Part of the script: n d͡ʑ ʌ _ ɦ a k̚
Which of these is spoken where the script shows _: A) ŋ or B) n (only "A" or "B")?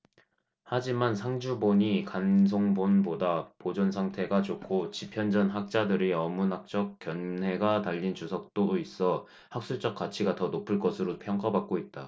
B